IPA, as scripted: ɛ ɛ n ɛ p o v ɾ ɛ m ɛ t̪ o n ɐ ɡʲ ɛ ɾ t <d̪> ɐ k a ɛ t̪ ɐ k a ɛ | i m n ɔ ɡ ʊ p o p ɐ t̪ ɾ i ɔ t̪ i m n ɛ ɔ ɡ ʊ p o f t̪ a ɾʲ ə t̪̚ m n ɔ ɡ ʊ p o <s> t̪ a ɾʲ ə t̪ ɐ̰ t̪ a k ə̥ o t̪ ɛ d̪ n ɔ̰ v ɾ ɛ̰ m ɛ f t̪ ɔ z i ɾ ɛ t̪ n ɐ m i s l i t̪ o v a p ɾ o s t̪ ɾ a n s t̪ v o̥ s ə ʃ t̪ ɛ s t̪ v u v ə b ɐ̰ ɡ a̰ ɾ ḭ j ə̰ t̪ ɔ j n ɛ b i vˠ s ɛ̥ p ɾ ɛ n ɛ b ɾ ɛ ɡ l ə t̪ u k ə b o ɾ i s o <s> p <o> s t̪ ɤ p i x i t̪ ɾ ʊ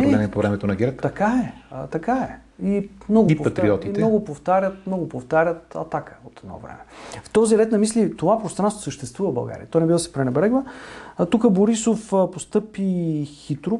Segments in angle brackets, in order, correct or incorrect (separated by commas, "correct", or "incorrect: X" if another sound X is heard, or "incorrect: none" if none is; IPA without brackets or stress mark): incorrect: t̪, incorrect: f, incorrect: f, correct